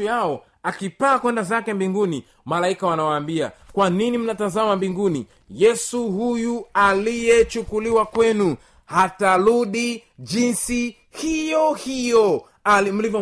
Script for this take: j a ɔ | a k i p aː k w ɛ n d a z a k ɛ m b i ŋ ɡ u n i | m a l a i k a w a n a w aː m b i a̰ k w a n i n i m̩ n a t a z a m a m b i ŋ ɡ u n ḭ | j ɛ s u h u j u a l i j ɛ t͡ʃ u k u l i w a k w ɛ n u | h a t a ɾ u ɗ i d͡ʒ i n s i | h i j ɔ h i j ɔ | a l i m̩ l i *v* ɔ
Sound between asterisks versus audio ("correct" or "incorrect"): correct